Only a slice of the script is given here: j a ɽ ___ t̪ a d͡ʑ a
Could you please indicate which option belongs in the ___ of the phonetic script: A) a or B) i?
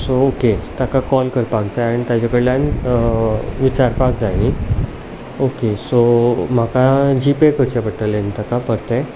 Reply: B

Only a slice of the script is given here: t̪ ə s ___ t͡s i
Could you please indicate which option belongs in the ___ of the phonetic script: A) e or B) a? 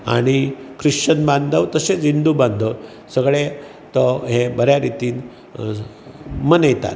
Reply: A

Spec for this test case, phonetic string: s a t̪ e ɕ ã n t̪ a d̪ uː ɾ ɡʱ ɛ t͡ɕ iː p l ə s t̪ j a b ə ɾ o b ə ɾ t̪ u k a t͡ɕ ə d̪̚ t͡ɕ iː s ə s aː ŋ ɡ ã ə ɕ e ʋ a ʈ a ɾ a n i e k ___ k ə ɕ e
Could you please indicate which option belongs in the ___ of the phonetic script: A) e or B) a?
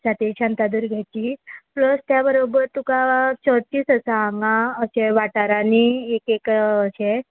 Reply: A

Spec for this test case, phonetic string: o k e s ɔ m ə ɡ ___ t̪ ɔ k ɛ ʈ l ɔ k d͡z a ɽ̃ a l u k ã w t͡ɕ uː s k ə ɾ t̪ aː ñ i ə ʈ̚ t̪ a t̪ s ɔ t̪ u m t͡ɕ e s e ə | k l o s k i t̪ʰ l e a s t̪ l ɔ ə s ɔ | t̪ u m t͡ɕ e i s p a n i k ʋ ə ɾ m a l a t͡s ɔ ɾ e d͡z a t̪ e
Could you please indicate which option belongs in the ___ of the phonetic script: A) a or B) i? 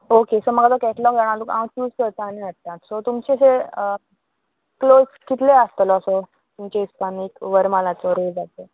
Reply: A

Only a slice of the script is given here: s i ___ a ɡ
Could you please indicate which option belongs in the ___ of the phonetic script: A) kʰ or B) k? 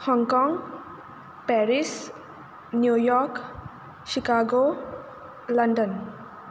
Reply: B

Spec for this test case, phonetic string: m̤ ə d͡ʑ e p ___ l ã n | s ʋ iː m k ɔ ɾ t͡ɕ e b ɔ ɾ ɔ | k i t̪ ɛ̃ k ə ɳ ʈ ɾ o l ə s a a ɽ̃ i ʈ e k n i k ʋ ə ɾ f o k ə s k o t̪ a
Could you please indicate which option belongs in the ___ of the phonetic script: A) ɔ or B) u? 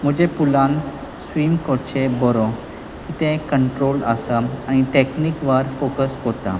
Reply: B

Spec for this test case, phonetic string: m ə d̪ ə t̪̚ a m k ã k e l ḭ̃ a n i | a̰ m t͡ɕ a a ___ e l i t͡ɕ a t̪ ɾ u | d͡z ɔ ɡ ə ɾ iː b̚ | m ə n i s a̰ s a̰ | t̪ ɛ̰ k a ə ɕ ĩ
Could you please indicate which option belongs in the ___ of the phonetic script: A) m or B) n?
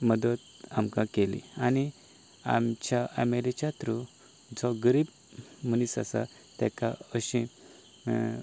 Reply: A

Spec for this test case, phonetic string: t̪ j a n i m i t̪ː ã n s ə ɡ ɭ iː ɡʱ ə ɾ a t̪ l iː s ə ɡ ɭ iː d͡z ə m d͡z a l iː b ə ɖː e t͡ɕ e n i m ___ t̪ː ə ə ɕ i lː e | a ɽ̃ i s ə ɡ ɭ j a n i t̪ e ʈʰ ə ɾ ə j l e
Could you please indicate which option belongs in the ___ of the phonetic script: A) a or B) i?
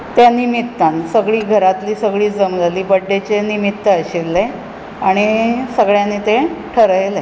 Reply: B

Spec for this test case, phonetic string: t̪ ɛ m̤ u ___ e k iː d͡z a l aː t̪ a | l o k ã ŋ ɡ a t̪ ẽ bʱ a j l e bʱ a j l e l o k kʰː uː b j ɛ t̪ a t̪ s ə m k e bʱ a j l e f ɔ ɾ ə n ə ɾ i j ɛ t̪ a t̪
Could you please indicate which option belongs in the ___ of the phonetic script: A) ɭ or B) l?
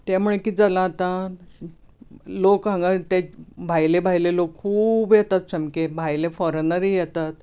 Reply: A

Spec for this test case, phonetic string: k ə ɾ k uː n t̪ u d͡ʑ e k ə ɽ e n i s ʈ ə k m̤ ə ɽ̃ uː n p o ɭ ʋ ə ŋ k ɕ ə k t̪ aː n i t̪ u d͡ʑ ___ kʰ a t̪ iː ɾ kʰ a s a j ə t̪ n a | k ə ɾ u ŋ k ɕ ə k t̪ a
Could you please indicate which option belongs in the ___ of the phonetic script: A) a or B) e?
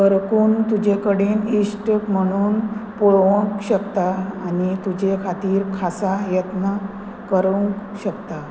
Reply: B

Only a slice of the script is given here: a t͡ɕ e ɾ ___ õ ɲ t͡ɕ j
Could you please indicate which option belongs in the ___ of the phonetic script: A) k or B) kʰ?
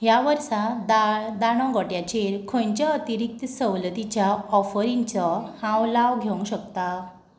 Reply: B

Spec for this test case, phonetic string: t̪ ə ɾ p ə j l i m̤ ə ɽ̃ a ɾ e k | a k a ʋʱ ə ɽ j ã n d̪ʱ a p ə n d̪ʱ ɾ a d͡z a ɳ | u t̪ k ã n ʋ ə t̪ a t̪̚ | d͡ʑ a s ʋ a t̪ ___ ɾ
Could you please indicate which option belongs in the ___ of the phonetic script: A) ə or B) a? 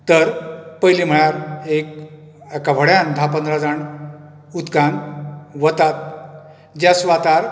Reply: B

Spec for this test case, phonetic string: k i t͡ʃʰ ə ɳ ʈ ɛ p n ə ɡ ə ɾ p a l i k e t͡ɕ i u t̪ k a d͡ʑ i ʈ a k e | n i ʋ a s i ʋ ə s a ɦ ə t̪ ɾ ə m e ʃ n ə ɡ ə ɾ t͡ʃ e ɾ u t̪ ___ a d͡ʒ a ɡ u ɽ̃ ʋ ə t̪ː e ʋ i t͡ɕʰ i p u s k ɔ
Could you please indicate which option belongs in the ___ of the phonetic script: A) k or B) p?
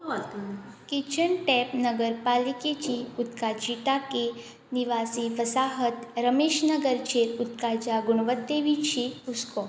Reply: A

